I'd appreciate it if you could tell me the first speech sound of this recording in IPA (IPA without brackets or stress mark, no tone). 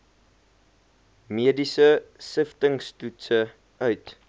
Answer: m